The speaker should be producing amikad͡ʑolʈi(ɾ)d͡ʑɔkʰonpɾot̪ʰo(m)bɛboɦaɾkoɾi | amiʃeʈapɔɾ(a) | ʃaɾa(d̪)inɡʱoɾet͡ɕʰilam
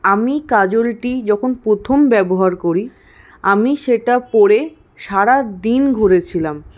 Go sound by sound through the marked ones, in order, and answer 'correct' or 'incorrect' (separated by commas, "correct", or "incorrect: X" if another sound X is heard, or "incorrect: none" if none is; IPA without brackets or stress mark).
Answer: incorrect: none, correct, incorrect: e, correct